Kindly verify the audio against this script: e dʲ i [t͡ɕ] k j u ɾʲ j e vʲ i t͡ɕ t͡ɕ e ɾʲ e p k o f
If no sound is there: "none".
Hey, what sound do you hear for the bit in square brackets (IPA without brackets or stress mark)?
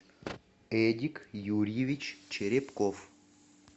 none